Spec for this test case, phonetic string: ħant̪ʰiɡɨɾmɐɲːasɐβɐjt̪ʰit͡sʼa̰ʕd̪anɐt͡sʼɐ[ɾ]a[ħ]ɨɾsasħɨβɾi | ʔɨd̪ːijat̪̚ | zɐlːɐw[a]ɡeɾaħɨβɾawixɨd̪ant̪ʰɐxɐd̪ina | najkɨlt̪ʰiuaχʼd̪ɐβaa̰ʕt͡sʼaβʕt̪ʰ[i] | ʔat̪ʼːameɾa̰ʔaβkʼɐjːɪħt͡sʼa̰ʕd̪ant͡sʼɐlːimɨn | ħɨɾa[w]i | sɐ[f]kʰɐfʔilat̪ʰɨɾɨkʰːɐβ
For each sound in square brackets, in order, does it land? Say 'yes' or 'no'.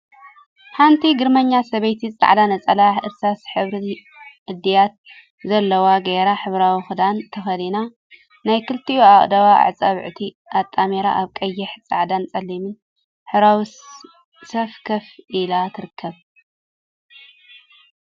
no, yes, yes, yes, yes, yes

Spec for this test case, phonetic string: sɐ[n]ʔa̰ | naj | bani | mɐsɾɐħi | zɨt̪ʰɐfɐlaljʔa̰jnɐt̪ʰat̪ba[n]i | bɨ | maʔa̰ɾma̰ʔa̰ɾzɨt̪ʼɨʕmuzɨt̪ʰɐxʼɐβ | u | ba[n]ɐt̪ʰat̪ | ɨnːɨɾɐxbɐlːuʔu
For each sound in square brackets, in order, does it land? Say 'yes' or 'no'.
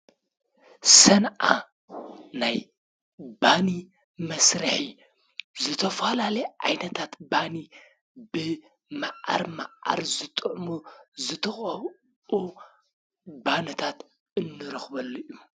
yes, yes, yes

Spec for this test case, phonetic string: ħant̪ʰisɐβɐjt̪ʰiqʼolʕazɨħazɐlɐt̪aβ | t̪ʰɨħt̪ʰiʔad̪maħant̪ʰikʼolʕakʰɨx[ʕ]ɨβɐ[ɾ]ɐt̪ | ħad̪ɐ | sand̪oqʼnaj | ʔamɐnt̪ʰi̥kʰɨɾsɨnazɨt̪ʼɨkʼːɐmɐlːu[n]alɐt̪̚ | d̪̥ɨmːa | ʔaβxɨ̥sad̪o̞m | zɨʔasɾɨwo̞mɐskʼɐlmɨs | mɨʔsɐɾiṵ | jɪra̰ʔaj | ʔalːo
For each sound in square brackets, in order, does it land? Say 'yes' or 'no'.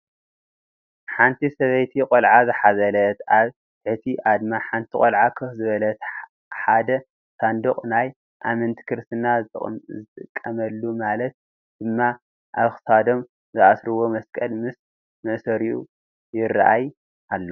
no, no, no

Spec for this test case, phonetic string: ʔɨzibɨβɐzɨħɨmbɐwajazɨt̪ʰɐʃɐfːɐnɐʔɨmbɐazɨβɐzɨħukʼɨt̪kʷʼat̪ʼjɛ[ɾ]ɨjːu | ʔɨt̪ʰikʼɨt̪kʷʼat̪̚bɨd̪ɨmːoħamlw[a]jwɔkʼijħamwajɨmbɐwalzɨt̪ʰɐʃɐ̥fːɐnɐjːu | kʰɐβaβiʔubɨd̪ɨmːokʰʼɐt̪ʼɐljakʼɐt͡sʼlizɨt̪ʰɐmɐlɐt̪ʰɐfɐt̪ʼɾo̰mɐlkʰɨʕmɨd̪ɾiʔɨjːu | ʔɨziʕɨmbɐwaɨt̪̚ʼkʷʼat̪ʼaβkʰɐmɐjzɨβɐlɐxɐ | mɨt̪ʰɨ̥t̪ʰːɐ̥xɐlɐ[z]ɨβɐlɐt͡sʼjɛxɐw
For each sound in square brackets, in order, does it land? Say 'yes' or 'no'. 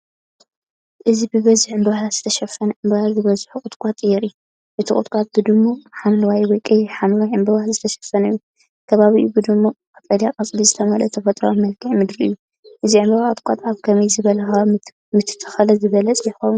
yes, yes, yes

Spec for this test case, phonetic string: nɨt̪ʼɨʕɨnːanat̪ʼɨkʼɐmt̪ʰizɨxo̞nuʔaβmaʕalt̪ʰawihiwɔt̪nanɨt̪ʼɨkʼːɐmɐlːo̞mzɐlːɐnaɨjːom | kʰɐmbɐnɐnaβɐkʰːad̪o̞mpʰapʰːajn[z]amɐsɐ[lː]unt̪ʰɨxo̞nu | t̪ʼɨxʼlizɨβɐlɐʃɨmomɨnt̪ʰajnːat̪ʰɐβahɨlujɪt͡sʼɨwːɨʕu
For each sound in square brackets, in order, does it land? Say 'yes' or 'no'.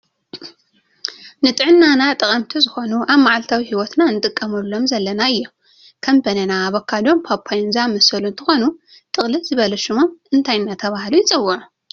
yes, no

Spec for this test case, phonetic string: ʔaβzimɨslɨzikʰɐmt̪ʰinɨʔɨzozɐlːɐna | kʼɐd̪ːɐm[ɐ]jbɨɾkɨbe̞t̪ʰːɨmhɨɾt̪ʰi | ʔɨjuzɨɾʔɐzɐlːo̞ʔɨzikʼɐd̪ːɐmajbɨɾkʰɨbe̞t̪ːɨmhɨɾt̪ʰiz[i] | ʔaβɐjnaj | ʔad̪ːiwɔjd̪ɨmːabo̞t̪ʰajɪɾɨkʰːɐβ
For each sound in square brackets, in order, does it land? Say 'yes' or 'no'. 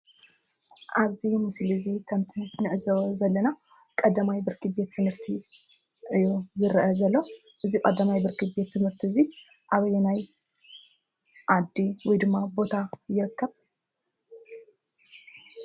no, yes

